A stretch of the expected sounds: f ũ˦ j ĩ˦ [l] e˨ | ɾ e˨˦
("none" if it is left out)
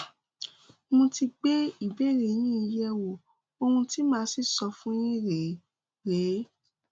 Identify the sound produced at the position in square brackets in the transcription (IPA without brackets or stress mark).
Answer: ɾ